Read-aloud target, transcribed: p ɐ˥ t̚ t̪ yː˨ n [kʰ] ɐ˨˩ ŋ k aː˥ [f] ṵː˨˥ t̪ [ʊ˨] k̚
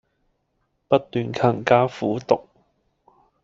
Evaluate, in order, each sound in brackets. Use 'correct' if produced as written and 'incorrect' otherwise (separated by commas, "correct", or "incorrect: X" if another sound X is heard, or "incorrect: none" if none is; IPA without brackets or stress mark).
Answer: correct, correct, correct